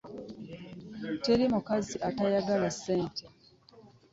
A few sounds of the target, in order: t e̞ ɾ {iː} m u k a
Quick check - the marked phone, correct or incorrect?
incorrect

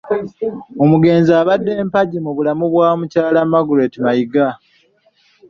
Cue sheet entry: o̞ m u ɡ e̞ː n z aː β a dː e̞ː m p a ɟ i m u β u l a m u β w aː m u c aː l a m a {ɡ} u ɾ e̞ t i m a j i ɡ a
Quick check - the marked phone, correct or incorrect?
correct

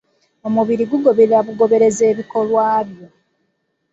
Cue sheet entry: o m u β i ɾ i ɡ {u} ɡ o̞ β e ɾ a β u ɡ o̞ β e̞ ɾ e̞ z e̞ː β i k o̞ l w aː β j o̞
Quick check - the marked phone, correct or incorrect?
correct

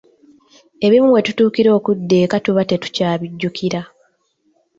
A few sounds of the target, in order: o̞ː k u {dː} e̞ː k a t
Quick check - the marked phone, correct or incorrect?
correct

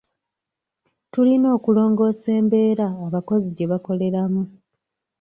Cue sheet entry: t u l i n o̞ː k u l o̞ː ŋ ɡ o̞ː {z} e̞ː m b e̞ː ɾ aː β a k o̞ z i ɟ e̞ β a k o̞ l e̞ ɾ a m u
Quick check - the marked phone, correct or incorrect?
incorrect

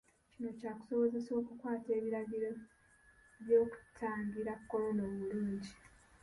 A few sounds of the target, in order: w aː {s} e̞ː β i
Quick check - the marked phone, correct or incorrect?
incorrect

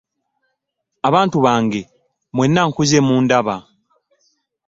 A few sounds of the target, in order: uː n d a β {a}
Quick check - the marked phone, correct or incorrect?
correct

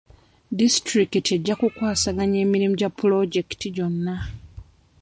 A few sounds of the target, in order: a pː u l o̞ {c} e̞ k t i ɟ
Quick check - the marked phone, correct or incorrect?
incorrect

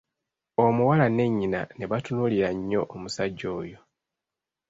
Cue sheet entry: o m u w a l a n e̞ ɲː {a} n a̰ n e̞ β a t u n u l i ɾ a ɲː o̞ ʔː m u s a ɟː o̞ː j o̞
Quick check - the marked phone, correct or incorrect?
incorrect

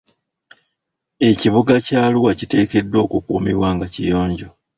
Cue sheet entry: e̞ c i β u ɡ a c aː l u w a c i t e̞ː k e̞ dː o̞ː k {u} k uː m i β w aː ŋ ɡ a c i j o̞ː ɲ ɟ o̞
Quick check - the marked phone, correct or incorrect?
correct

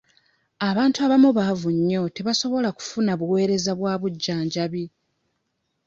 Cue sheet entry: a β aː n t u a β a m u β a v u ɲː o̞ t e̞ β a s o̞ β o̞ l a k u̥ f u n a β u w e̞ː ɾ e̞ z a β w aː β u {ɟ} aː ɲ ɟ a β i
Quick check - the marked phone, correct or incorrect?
incorrect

